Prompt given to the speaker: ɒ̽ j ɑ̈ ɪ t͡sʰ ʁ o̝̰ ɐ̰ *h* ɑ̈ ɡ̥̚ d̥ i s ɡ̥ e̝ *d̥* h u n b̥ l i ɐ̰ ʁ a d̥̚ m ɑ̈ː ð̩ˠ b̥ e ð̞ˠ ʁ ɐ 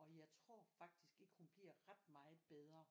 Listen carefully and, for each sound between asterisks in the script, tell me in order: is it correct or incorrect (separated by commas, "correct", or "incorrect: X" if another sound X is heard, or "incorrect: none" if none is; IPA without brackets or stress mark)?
incorrect: f, incorrect: ɡ̥